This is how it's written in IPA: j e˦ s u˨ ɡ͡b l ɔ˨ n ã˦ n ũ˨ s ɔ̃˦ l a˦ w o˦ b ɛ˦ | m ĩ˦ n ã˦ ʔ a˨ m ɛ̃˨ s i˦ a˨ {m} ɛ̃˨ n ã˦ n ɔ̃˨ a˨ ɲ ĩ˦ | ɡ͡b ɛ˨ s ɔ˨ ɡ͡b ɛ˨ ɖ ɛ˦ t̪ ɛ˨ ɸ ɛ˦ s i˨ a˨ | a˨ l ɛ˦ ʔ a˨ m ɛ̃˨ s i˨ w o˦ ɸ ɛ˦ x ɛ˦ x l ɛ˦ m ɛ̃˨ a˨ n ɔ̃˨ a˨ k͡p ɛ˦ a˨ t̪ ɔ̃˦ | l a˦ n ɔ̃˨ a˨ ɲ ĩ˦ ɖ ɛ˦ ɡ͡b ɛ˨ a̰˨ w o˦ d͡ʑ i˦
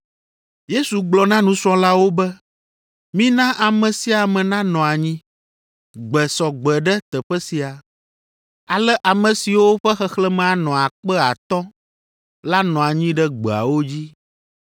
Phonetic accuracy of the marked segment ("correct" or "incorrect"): correct